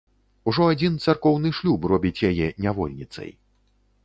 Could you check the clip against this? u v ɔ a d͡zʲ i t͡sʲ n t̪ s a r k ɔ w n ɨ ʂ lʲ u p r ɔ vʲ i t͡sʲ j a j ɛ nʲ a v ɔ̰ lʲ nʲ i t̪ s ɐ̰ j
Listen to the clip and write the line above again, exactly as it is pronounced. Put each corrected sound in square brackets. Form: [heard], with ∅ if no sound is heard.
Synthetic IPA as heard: u [ʐ] ɔ a d͡zʲ i [∅] n t̪ s a r k ɔ w n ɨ ʂ lʲ u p r ɔ [bʲ] i t͡sʲ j a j ɛ nʲ a v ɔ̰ lʲ nʲ i t̪ s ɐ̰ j

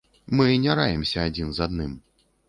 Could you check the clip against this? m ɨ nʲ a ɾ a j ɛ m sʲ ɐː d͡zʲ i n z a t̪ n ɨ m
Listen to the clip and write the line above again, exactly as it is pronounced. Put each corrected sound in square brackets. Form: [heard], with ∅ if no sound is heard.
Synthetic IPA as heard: m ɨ nʲ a ɾ a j ɛ m sʲ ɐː d͡zʲ i n z a [d̪] n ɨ m

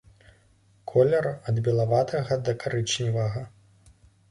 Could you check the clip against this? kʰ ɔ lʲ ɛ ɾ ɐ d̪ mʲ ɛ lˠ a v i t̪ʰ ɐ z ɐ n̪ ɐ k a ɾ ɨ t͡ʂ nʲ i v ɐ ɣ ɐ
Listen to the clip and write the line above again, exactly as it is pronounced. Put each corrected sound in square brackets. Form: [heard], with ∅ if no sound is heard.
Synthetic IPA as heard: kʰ ɔ lʲ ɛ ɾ ɐ d̪ [bʲ] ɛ lˠ a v [a] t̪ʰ ɐ [ɣ] ɐ [d̪] ɐ k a ɾ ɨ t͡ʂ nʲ i v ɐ ɣ ɐ

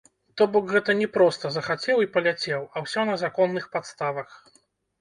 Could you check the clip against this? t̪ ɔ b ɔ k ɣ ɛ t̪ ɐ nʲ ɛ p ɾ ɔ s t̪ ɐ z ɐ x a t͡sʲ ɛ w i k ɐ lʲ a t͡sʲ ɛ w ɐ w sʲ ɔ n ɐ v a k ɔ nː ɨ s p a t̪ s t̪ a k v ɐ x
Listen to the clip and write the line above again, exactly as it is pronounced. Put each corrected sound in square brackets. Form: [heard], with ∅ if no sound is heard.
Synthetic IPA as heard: t̪ ɔ b ɔ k ɣ ɛ t̪ ɐ nʲ ɛ p ɾ ɔ s t̪ ɐ z ɐ x a t͡sʲ ɛ w i [p] ɐ lʲ a t͡sʲ ɛ w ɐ w sʲ ɔ n ɐ [z] a k ɔ nː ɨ [x] p a t̪ s t̪ a [∅] v ɐ x

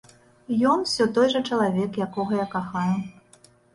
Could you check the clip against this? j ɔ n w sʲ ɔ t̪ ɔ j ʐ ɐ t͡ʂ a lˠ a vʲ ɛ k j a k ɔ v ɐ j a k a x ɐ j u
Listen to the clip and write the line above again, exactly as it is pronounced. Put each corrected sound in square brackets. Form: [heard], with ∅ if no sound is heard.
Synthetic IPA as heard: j ɔ n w sʲ ɔ t̪ ɔ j ʐ ɐ t͡ʂ [ɐ] lˠ a vʲ ɛ k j a k ɔ [ɣ] ɐ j a k a x [a] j u

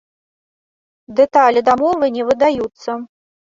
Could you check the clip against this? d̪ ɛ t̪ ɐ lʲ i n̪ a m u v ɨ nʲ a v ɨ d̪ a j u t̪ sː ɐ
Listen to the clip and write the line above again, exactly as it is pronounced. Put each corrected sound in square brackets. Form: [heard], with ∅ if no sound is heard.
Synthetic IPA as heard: d̪ ɛ t̪ [a] lʲ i [d̪] a m [ɔ] v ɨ nʲ [ɛ] v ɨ d̪ a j u t̪ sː ɐ

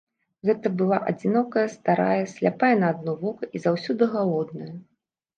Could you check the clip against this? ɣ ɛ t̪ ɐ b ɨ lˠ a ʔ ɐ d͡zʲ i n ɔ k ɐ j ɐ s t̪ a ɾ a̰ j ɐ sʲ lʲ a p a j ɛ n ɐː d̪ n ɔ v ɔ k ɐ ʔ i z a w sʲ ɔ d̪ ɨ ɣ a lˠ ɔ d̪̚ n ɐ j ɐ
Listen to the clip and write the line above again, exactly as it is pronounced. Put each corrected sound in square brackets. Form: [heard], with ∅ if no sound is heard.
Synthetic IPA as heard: ɣ ɛ t̪ ɐ b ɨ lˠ a ʔ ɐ d͡zʲ i n ɔ k ɐ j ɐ s t̪ a ɾ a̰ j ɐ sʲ lʲ a p a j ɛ n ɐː d̪ n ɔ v ɔ k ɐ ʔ i z a w sʲ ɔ d̪ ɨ ɣ a lˠ ɔ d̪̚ n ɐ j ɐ

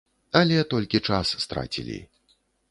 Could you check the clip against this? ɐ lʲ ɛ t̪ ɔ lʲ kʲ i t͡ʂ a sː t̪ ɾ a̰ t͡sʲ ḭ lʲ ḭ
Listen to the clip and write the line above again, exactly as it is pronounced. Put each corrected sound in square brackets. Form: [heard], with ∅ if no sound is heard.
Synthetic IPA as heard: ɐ lʲ ɛ t̪ ɔ lʲ kʲ i t͡ʂ a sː t̪ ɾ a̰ t͡sʲ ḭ lʲ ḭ

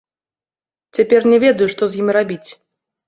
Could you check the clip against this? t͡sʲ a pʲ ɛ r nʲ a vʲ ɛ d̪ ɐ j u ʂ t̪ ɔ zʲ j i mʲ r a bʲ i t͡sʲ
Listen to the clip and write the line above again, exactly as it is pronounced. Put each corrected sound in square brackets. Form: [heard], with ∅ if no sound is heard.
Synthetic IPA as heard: t͡sʲ a pʲ ɛ r nʲ [ɛ] vʲ ɛ d̪ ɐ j u ʂ t̪ ɔ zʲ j i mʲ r a bʲ i t͡sʲ

